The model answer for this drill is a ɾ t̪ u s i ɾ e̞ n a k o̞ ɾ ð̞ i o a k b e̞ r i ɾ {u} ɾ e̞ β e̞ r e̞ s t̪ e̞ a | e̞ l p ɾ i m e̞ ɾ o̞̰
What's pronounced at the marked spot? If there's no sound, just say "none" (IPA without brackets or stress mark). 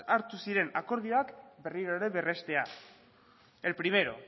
o